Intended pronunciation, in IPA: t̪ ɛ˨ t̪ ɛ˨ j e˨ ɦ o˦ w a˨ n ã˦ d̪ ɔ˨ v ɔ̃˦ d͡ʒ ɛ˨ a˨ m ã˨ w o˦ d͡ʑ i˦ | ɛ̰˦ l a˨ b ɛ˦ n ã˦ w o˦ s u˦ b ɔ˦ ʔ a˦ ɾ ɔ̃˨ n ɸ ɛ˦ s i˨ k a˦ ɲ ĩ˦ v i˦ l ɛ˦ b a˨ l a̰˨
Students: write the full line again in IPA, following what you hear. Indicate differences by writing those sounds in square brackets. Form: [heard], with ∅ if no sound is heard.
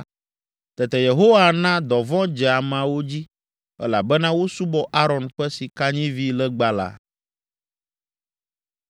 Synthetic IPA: t̪ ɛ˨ t̪ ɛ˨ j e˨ ɦ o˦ w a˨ n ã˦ d̪ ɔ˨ v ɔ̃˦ d͡ʒ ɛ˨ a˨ m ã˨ w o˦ d͡ʑ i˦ | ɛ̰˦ l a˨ b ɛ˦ n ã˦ w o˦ s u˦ b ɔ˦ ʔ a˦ ɾ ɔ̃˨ n ɸ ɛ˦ s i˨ k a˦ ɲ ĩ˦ v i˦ l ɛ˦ [ɡ͡b] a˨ l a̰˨

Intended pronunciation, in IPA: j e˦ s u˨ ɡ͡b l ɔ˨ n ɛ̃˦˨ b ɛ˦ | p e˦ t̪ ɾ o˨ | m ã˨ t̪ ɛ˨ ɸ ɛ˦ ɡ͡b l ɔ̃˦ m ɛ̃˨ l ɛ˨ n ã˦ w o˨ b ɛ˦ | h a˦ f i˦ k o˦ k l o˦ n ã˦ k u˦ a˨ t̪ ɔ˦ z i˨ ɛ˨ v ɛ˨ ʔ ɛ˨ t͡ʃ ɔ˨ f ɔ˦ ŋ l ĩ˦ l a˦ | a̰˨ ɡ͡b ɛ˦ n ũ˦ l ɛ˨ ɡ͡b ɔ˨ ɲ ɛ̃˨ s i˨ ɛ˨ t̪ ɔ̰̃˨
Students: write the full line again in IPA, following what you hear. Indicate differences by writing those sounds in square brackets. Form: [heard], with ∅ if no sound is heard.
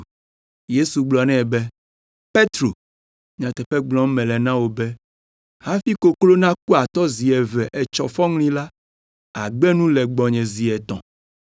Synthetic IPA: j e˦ s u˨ ɡ͡b l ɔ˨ n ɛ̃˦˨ b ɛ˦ | p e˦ t̪ ɾ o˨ | [ɲ] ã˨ t̪ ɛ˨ ɸ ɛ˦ ɡ͡b l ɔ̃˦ m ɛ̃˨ l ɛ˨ n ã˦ w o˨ b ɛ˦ | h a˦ f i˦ k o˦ k l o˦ n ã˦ k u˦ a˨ t̪ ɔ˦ z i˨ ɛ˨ v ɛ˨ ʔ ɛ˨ t͡ʃ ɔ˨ f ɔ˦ ŋ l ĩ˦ l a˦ | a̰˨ ɡ͡b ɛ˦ n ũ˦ l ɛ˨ ɡ͡b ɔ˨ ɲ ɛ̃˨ [z] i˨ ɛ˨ t̪ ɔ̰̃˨

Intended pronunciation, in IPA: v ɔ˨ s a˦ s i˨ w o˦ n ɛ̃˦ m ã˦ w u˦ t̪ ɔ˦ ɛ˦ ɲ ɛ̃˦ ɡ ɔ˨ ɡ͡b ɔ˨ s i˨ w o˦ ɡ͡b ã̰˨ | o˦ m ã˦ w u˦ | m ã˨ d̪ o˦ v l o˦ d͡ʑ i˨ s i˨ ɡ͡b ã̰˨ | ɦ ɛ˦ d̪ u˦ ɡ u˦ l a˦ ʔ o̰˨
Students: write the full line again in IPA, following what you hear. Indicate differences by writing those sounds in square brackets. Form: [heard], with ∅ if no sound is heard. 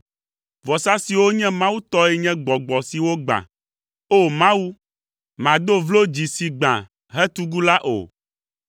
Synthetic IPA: v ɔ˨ s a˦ s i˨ w o˦ [ɲ] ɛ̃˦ m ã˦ w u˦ t̪ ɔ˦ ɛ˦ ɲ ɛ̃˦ [ɡ͡b] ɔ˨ ɡ͡b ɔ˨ s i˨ w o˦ ɡ͡b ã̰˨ | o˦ m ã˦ w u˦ | m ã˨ d̪ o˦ v l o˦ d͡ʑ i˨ s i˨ ɡ͡b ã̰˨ | ɦ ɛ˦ [t̪] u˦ ɡ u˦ l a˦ ʔ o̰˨

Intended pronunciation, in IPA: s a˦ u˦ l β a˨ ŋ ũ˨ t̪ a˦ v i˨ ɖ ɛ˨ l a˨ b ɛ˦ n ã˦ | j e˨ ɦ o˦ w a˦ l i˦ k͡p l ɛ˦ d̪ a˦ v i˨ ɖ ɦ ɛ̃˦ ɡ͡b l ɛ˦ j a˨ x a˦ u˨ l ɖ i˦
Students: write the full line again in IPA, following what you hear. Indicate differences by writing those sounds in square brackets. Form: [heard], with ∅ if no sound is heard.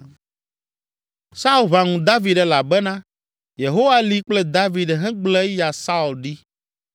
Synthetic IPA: s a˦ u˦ l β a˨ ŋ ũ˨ [d̪] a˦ v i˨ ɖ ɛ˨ l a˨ b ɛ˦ n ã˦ | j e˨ ɦ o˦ w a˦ l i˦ k͡p l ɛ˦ d̪ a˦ v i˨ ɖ ɦ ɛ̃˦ ɡ͡b l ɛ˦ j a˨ [s] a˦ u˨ l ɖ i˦

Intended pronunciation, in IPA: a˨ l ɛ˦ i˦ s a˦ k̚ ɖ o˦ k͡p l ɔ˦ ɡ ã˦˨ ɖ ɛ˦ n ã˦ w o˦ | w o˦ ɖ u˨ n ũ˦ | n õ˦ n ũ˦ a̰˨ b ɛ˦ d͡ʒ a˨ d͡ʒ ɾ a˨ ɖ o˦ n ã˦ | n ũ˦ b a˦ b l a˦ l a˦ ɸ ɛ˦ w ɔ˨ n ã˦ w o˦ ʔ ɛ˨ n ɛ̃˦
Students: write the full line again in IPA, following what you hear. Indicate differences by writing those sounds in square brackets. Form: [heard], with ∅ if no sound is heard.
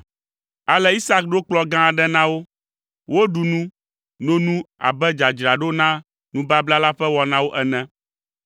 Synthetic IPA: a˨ l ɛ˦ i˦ s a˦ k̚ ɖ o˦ k͡p l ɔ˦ ɡ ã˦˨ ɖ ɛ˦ n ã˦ w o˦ | w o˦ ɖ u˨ n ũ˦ | n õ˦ n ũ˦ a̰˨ b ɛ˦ d͡ʒ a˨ d͡ʒ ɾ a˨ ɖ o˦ n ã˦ | n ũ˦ b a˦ b l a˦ l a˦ ɸ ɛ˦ w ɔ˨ n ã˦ w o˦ ʔ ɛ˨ n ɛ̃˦

